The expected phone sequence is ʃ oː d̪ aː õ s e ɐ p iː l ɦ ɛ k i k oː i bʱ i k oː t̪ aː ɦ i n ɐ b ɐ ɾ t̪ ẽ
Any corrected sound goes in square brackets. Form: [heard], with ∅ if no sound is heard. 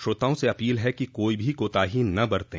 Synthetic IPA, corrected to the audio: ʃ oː [t̪] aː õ s e ɐ p iː l ɦ ɛ k i k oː i bʱ i k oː t̪ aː ɦ i n ɐ b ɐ ɾ t̪ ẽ